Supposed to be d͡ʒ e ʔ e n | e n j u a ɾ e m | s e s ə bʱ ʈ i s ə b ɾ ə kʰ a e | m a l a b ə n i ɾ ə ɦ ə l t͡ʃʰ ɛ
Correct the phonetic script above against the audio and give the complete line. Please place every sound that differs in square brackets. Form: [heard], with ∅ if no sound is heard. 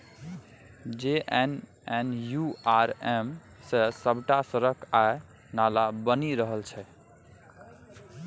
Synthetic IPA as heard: d͡ʒ e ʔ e n | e n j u a ɾ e m | s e s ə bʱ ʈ [a] s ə [∅] ɾ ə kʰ a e | [n] a l a b ə n i ɾ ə ɦ ə l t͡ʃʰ ɛ